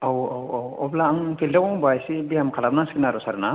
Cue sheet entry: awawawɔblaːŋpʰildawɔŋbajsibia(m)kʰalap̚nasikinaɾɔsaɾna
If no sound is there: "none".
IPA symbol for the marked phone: m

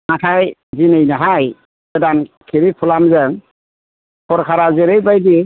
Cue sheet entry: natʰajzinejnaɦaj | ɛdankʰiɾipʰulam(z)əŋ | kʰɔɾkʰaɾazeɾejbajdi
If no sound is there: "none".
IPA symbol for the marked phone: z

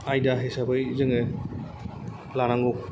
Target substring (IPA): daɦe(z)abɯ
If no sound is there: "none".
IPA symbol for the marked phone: s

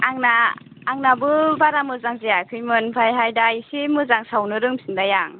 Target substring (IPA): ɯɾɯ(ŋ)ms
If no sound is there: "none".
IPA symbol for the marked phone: ŋ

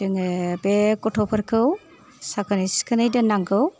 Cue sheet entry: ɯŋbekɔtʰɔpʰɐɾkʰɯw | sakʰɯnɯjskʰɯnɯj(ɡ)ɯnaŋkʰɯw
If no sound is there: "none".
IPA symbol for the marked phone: d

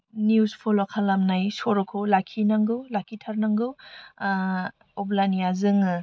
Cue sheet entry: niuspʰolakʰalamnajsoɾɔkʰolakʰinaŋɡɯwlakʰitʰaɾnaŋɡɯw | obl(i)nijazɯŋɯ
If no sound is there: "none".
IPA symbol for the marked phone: a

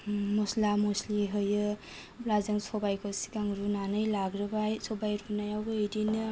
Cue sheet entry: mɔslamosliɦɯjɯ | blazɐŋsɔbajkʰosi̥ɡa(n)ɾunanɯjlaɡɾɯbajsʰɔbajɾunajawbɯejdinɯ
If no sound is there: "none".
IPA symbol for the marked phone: ŋ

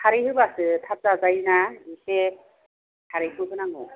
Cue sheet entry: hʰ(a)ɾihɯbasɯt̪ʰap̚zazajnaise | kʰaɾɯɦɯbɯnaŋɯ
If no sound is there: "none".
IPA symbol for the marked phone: a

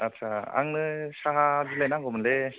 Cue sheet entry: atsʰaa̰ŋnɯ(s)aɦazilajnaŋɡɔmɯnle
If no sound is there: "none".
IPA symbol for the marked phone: s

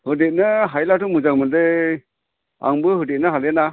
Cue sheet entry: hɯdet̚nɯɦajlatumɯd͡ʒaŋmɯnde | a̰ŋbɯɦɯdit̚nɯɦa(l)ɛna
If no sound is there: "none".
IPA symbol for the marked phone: l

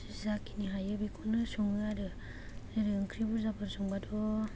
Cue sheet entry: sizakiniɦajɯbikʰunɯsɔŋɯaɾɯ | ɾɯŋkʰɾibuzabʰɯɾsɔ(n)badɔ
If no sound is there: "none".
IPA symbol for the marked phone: ŋ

